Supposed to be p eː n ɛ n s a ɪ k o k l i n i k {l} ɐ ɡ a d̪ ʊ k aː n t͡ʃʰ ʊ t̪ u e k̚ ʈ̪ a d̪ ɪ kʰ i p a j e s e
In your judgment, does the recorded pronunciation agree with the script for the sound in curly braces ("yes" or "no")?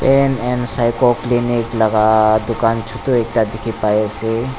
yes